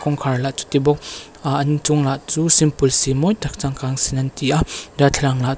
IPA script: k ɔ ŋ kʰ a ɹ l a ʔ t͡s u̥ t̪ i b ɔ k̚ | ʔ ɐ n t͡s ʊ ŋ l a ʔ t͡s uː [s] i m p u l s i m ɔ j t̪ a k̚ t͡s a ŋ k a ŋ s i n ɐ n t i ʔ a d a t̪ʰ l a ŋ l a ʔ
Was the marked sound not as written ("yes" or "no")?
no